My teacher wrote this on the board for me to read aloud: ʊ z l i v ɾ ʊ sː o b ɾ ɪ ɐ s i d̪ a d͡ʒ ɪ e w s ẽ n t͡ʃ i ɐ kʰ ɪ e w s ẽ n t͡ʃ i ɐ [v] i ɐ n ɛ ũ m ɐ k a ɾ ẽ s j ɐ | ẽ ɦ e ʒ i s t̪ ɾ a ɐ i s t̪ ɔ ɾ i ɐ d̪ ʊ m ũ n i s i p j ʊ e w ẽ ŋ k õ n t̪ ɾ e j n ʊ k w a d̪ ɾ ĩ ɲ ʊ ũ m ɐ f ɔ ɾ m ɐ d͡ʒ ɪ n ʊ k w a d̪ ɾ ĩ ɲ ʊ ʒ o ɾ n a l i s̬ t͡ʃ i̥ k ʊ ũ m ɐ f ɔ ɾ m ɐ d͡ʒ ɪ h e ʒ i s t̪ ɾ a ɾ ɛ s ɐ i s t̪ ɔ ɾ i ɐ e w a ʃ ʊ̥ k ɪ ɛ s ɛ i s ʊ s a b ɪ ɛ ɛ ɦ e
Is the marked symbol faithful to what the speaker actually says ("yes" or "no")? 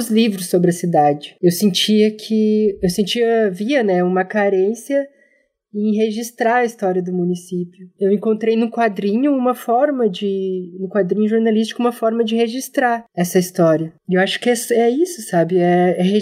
yes